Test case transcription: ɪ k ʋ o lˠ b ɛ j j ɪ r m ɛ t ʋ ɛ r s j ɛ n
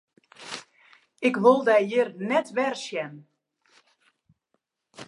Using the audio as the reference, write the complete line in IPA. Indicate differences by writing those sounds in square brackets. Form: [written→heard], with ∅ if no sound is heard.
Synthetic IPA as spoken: ɪ k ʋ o lˠ [b→d] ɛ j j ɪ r [m→n] ɛ t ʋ ɛ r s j ɛ n